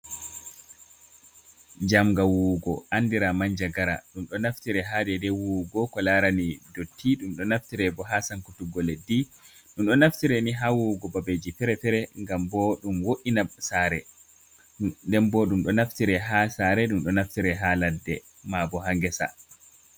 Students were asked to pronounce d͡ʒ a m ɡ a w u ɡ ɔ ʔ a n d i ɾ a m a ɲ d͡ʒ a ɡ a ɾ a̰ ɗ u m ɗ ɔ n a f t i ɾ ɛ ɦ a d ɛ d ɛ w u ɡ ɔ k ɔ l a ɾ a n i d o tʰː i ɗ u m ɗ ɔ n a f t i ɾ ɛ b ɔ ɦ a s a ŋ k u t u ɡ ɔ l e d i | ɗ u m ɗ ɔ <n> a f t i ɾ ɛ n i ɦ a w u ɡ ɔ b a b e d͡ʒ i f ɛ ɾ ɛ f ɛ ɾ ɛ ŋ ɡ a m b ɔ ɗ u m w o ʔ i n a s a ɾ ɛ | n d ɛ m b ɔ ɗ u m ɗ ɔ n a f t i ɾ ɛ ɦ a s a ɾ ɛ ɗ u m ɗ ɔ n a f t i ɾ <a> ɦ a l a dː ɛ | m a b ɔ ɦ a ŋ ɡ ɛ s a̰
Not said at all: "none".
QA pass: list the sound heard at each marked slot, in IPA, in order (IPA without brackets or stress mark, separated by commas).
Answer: n, ɛ